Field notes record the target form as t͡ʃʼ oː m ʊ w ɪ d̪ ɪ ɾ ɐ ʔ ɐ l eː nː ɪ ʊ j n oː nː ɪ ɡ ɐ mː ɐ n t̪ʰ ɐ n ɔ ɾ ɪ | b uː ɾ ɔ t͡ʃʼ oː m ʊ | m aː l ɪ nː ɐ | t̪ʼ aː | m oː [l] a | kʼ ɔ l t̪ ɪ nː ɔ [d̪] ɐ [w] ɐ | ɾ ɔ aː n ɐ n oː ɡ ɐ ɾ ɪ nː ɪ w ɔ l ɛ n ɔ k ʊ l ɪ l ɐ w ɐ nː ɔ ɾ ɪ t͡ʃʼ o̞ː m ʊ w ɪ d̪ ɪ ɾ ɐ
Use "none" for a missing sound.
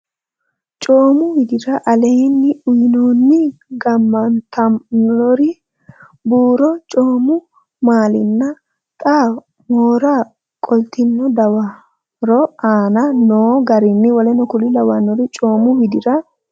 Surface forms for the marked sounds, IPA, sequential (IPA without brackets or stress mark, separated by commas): ɾ, d̪, w